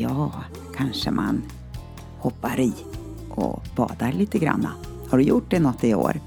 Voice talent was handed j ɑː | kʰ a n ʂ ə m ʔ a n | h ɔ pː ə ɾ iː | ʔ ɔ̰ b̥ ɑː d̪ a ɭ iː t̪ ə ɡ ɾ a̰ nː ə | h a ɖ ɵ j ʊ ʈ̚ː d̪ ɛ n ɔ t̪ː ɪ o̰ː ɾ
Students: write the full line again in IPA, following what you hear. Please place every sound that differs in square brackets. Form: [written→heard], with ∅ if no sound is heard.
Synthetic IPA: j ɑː | kʰ a n ʂ ə m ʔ a n | h ɔ pː [ə→a] ɾ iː | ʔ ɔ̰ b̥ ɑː d̪ a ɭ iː t̪ ə ɡ ɾ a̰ nː [ə→a] | h a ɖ ɵ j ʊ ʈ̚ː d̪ ɛ n ɔ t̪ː ɪ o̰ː ɾ